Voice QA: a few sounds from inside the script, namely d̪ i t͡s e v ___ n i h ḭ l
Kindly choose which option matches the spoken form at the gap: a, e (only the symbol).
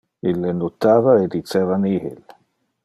a